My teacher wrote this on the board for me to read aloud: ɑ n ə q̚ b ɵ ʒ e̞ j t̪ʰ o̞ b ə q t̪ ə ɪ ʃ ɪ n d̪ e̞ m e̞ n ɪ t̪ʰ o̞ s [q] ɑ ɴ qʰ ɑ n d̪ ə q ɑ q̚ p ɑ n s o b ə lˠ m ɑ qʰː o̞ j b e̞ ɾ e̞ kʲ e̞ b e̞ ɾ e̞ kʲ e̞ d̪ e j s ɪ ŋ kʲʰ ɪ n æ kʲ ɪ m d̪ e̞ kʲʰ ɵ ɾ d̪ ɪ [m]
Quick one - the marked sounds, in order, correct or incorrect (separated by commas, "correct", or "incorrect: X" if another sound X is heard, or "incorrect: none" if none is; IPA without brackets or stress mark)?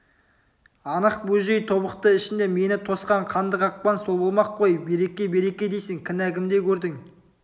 correct, incorrect: ŋ